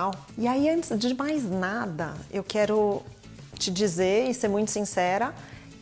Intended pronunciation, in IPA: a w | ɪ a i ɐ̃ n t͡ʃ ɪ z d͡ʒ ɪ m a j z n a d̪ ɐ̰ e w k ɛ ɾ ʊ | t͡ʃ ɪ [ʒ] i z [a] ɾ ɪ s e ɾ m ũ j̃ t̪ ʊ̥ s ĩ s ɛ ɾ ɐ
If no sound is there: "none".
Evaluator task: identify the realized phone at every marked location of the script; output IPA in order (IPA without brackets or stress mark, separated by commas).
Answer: d͡ʒ, e